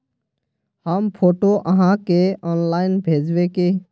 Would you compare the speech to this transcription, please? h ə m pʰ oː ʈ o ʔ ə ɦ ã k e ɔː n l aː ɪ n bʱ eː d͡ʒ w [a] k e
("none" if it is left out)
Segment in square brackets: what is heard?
e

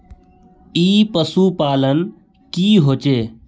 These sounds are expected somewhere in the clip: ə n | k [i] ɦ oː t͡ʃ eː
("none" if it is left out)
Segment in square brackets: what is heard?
iː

